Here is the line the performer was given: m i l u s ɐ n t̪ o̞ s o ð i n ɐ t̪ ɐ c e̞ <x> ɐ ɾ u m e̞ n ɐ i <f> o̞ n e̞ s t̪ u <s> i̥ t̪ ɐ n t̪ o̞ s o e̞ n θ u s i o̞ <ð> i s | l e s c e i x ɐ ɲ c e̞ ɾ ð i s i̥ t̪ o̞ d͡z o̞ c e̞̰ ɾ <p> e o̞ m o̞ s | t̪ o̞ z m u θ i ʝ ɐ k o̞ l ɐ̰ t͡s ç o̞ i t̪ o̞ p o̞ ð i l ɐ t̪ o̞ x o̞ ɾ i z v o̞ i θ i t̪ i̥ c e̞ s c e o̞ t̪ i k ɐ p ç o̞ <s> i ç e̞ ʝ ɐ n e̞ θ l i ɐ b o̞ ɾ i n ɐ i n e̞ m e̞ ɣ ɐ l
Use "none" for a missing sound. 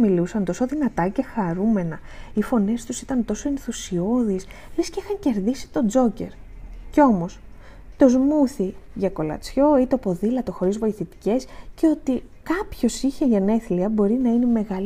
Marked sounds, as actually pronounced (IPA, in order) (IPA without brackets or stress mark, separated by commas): x, f, s, ð, c, s